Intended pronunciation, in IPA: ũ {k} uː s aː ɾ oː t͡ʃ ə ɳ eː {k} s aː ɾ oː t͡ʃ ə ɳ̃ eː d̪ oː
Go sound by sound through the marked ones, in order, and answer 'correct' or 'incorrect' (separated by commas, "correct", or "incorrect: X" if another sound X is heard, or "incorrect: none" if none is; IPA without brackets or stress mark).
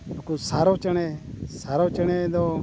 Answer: correct, incorrect: none